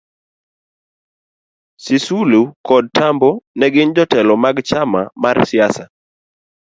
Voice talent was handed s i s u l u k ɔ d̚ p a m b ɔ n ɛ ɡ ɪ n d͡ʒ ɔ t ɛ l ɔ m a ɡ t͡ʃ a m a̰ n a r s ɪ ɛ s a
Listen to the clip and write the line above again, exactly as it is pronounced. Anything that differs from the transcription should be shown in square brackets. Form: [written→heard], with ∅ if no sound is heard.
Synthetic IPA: s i s u l u k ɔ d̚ [p→t] a m b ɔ n ɛ ɡ ɪ n d͡ʒ ɔ t ɛ l ɔ m a ɡ t͡ʃ a m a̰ [n→m] a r s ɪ [ɛ→a] s a